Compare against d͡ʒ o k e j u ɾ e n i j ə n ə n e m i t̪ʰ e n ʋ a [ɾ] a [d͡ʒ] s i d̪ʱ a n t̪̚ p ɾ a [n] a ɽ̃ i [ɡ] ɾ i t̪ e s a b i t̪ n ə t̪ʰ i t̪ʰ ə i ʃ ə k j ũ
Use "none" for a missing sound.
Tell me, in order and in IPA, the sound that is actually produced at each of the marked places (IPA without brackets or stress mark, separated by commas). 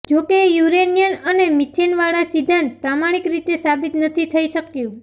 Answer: ɭ, none, m, k